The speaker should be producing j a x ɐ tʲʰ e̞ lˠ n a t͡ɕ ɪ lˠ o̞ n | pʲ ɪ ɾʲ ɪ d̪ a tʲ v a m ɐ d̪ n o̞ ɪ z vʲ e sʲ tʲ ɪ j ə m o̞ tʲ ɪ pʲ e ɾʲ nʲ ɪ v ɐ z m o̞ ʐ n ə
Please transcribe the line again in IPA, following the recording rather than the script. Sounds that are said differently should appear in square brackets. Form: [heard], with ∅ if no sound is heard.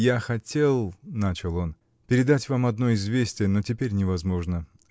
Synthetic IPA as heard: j a x ɐ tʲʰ e̞ lˠ n a t͡ɕ ɪ lˠ o̞ n | pʲ ɪ ɾʲ ɪ d̪ a tʲ v a m ɐ d̪ n o̞ ɪ z vʲ e sʲ tʲ ɪ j ə [n] o̞ tʲ ɪ pʲ e ɾʲ nʲ ɪ v ɐ z m o̞ ʐ n ə

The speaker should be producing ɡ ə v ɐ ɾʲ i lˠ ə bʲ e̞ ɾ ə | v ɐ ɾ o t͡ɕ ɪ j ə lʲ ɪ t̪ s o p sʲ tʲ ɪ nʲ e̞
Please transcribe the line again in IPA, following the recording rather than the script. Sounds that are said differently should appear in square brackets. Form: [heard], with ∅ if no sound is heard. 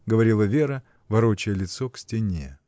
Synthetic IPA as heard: ɡ ə v ɐ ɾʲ i lˠ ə [vʲ] e̞ ɾ ə | v ɐ ɾ o t͡ɕ ɪ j ə lʲ ɪ t̪ s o [k] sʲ tʲ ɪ nʲ e̞

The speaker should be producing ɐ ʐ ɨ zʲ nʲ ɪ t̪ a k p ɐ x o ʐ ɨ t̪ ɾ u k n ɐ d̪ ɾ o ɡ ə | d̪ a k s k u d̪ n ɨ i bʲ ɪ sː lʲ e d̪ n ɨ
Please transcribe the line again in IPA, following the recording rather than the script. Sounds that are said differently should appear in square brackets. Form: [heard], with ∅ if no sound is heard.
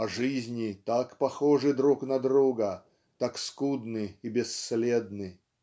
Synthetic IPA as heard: ɐ ʐ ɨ zʲ nʲ ɪ t̪ a k p ɐ x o ʐ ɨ [d̪] ɾ u k n ɐ d̪ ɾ [u] ɡ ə | [t̪] a k s k u d̪ n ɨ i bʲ ɪ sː lʲ e d̪ n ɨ

